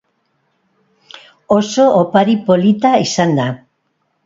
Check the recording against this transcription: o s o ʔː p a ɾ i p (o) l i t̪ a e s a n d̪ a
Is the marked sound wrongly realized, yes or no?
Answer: no